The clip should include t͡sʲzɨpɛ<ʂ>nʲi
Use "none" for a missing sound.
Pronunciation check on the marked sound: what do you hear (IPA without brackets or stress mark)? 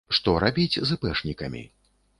ʂ